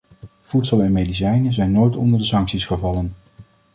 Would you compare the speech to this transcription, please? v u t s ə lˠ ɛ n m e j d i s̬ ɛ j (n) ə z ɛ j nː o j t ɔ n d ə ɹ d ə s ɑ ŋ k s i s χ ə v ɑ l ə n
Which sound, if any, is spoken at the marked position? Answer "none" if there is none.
n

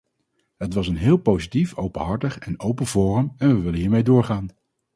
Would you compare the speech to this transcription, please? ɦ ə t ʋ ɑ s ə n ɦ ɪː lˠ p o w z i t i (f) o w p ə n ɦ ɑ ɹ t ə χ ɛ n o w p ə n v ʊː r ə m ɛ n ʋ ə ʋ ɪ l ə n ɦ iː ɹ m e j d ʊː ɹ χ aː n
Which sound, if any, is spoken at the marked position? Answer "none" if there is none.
f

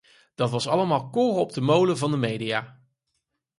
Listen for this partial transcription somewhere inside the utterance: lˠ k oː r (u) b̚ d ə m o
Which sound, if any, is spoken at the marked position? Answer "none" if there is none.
ɔ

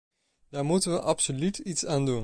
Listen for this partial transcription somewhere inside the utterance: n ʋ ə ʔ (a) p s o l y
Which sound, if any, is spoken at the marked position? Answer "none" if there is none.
ɑ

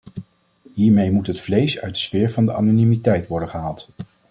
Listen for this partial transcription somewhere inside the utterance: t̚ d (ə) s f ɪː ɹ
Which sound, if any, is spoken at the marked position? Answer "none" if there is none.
ə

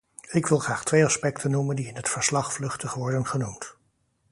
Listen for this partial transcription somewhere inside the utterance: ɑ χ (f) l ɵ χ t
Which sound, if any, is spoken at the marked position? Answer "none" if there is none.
f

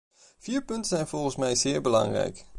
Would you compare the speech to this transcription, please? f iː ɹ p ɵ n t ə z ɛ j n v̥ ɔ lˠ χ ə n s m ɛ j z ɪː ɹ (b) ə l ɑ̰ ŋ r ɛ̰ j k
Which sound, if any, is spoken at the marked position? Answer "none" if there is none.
b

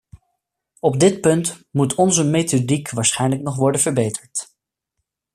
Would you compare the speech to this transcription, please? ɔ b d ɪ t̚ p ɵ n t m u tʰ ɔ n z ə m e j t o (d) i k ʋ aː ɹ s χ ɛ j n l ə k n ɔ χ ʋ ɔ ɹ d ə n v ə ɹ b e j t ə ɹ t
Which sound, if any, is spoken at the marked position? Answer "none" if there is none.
d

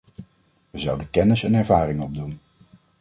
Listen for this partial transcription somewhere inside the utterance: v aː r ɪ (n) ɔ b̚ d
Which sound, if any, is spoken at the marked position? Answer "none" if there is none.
ŋ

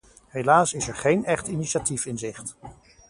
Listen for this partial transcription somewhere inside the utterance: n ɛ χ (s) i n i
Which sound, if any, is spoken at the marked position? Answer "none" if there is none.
t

